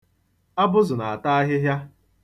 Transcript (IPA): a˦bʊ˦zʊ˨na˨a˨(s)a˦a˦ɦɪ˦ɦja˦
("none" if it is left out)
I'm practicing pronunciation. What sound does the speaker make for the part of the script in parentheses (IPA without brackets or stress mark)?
t